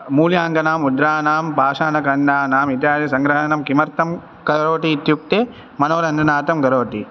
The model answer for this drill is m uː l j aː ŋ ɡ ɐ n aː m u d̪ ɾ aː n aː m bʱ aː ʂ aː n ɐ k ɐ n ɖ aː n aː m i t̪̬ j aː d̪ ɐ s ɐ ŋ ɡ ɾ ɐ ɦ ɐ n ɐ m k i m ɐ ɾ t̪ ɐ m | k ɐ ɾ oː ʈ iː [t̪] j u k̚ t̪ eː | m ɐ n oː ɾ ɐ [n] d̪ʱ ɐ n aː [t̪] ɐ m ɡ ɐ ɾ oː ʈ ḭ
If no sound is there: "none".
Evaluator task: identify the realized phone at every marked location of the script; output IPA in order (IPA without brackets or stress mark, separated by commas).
t̪, n, t̪